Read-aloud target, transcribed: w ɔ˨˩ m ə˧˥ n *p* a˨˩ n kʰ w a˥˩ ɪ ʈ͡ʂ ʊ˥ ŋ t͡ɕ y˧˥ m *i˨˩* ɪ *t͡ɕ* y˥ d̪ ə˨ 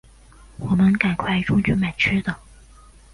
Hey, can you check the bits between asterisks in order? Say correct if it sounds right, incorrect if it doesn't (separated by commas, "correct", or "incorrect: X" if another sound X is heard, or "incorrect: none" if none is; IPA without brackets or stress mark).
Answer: incorrect: k, incorrect: a˨˩, incorrect: t͡ɕʰ